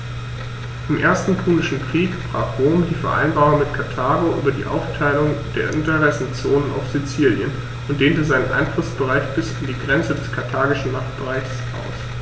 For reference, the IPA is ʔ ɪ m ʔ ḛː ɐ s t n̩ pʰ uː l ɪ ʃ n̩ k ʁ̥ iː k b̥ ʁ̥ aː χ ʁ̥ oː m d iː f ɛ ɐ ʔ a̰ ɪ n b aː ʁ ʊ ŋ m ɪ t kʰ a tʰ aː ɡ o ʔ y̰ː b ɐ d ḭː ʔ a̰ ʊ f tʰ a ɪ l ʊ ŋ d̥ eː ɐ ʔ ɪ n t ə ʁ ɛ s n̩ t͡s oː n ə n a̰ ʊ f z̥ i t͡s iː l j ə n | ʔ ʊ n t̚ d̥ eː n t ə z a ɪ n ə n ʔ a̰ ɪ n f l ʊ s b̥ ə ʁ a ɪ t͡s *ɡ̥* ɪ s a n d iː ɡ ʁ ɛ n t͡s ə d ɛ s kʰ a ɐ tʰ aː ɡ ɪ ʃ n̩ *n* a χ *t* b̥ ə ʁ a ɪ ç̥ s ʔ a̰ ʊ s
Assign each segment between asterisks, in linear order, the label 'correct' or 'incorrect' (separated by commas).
incorrect, incorrect, correct